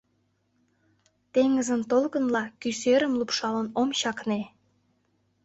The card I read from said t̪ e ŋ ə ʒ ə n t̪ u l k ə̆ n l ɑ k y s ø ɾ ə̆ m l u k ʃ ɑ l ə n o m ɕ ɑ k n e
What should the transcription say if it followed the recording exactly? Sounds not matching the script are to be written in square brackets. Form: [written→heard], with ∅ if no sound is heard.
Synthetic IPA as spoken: t̪ e ŋ ə [ʒ→z] ə n t̪ [u→o] l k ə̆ n l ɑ k y s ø ɾ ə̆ m l u [k→p] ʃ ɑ l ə n o m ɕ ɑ k n e